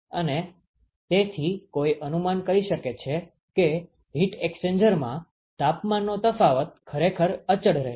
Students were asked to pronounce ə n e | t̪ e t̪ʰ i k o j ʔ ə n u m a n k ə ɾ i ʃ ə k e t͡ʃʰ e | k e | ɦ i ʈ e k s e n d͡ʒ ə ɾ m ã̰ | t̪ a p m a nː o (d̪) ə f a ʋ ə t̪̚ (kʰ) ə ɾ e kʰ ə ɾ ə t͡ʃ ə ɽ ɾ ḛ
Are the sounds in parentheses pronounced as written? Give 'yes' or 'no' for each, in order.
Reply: no, yes

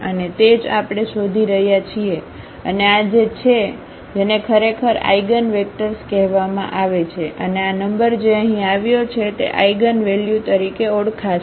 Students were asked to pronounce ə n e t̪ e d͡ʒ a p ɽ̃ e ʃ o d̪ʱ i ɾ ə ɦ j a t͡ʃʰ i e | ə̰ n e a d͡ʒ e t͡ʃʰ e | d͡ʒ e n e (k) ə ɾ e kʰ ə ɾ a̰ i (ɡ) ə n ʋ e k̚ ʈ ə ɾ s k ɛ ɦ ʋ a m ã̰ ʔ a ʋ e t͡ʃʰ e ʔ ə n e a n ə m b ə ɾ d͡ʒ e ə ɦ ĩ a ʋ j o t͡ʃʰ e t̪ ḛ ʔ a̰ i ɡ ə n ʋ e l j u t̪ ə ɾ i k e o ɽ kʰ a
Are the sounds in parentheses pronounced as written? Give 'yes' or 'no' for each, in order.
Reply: no, yes

